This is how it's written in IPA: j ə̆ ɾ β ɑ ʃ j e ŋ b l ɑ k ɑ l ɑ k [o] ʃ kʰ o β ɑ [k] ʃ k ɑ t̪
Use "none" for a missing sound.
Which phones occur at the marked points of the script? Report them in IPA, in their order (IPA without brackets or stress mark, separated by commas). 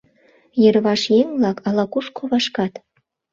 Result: u, none